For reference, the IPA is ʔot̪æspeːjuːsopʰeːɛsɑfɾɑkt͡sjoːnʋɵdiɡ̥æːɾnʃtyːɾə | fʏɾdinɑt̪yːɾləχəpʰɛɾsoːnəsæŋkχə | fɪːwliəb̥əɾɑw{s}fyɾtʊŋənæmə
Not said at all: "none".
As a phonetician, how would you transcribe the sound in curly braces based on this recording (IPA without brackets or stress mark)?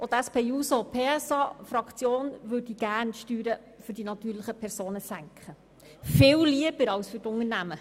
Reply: s